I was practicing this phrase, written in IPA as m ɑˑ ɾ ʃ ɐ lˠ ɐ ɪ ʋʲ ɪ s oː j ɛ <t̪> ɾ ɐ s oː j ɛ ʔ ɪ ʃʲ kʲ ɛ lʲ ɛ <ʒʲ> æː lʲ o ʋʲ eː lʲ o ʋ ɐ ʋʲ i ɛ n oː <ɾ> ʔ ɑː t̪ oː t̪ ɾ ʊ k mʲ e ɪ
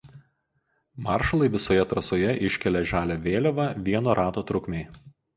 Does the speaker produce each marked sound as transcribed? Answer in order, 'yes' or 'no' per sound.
yes, yes, yes

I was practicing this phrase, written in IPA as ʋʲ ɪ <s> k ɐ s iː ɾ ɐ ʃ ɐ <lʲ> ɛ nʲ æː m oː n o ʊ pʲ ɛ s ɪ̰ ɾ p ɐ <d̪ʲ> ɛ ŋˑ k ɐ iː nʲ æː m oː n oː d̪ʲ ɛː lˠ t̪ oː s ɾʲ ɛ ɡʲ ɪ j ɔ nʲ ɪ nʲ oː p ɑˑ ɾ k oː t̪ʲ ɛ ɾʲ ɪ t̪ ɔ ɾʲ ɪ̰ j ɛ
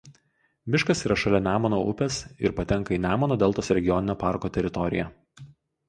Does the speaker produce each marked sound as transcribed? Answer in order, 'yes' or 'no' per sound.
no, yes, no

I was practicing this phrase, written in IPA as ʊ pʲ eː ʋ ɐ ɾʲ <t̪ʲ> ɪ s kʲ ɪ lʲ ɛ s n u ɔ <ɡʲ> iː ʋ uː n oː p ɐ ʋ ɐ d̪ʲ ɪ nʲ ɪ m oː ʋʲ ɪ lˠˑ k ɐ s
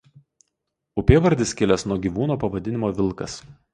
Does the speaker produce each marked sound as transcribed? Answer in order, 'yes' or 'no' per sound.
no, yes

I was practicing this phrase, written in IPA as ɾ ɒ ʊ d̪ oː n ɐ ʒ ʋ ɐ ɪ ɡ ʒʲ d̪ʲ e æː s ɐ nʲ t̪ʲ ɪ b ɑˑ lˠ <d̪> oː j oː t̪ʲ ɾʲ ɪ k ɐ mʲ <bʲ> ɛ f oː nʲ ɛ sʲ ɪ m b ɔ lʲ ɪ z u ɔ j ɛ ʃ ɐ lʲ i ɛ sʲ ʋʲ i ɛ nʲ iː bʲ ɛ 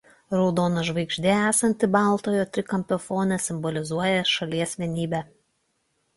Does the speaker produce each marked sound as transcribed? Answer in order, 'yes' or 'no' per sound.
no, no

